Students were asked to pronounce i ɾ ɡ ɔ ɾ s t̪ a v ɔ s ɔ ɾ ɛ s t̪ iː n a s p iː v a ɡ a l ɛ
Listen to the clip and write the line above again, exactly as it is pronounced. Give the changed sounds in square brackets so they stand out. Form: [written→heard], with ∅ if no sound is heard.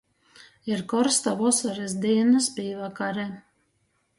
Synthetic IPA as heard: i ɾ [ɡ→k] ɔ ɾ s t̪ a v ɔ s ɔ ɾ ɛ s [t̪→d̪] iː n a s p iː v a [ɡ→k] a [l→ɾ] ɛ